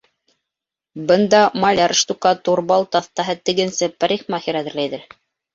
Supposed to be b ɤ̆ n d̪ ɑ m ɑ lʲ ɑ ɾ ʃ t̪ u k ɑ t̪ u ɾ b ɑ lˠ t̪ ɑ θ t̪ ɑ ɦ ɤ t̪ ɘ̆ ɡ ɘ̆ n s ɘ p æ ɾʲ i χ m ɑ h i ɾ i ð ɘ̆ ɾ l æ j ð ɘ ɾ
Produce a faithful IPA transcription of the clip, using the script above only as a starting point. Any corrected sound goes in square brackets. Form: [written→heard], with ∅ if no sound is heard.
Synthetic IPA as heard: b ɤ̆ n d̪ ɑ m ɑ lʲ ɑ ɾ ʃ t̪ u k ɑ t̪ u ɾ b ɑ lˠ t̪ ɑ θ t̪ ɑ ɦ ɤ t̪ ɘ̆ ɡ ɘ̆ n s ɘ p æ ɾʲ i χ m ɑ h i ɾ [i→æ] ð ɘ̆ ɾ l æ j ð ɘ ɾ